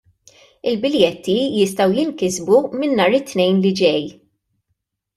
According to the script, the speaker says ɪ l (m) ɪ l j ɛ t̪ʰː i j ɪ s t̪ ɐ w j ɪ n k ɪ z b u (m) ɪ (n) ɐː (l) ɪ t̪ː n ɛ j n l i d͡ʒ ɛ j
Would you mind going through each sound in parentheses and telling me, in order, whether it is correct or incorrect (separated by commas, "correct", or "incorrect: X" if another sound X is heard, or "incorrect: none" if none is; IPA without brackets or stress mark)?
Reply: incorrect: b, correct, incorrect: nː, incorrect: ɾ